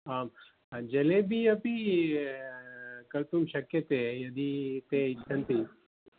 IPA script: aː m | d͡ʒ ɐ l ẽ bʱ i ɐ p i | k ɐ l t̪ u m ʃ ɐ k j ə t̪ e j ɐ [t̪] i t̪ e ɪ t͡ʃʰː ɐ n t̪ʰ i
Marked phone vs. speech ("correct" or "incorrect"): incorrect